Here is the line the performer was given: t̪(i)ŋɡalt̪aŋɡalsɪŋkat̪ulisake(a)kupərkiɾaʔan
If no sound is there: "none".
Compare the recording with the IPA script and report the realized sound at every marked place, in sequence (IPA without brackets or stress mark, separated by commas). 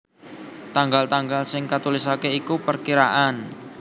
a, i